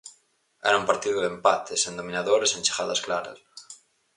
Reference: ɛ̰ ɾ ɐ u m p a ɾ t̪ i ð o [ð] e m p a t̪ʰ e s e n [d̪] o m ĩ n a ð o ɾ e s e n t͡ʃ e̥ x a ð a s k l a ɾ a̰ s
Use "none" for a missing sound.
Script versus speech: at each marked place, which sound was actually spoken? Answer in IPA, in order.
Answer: ð, d̪

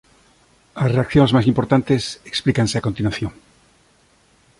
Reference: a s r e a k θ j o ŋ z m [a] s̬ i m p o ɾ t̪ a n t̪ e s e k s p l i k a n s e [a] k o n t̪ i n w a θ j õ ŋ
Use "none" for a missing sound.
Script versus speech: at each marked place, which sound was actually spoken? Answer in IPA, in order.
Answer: a, a

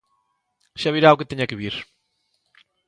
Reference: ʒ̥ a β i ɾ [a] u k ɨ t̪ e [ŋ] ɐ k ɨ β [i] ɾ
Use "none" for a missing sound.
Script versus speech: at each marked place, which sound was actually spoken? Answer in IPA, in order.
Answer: a, ɲ, i

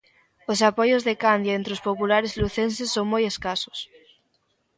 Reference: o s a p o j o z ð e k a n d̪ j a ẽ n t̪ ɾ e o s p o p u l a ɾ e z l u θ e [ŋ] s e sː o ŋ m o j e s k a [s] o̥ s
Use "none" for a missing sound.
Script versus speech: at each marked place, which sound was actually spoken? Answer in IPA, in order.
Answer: n, s

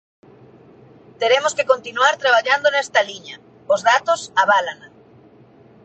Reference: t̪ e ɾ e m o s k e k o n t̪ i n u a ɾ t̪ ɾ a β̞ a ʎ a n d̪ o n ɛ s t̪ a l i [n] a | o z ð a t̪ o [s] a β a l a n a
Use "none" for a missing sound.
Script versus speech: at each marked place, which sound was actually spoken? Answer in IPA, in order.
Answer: ɲ, s

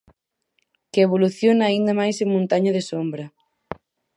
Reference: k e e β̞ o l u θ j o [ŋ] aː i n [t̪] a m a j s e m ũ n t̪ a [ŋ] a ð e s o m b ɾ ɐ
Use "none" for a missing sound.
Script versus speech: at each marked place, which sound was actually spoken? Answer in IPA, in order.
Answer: n, d̪, ɲ

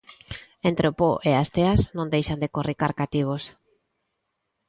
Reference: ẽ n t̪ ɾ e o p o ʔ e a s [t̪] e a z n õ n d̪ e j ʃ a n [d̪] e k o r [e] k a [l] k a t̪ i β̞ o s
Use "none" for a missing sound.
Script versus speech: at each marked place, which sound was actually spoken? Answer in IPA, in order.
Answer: t̪, d̪, i, ɾ

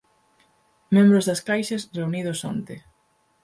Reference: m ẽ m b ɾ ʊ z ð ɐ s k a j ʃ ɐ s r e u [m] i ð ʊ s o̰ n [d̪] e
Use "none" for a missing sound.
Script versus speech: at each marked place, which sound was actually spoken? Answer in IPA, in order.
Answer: n, t̪

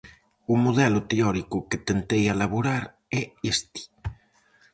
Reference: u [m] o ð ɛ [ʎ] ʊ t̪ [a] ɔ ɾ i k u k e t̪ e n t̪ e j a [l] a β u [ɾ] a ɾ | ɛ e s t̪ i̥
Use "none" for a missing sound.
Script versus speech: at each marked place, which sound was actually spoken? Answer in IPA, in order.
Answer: m, l, e, l, ɾ

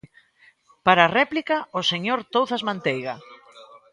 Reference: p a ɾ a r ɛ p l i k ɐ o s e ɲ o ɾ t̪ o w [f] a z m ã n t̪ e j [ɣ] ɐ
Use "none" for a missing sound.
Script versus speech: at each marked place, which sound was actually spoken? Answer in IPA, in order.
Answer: θ, ɣ

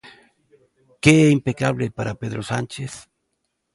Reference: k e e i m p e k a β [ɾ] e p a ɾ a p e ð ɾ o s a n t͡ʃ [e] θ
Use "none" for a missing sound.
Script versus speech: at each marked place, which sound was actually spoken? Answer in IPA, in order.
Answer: l, e

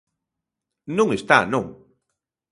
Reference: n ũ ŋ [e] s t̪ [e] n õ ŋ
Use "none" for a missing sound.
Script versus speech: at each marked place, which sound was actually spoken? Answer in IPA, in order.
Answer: e, a

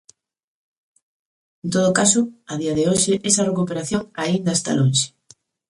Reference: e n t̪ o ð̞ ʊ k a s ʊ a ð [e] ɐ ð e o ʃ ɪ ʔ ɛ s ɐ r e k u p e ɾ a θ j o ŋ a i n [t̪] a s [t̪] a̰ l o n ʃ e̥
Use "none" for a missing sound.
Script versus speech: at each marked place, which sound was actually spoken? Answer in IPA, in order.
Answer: i, d̪, t̪

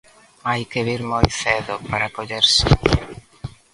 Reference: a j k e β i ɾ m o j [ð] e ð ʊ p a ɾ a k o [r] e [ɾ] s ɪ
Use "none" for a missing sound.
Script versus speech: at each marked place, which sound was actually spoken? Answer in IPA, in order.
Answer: θ, ʎ, ɾ

